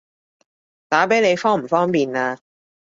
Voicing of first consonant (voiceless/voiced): voiceless